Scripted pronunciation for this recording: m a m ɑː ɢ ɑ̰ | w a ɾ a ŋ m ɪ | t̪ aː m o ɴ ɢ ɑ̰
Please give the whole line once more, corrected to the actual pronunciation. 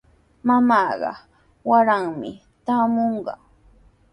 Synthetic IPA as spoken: m a m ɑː ɢ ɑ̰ | w a ɾ a ŋ m ɪ | t̪ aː m o ɴ ɢ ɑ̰